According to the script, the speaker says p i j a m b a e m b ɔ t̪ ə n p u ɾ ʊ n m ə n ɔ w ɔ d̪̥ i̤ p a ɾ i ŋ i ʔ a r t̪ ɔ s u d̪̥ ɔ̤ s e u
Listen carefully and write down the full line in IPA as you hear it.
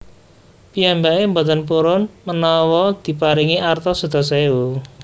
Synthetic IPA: p i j a m b a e m b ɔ t̪ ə n p u ɾ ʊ n m ə n ɔ w ɔ d̪̥ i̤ p a ɾ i ŋ i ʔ a r t̪ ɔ s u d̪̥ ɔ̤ s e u